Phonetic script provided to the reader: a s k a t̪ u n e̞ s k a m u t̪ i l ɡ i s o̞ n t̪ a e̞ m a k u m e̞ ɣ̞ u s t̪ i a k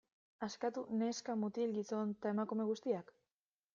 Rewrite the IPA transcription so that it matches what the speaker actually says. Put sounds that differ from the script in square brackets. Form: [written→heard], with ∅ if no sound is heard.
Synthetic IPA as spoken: a s k a t̪ u n e̞ s k a m u t̪ i l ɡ i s o̞ n t̪ a e̞ m a k u m e̞ ɣ̞ u s t̪ i a k